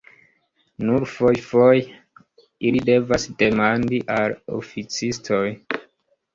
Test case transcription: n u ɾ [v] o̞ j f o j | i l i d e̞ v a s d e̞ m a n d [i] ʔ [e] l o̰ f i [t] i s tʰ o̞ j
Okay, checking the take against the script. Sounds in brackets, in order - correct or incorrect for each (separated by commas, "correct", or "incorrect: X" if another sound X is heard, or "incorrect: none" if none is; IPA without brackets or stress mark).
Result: incorrect: f, correct, incorrect: a, incorrect: t͡s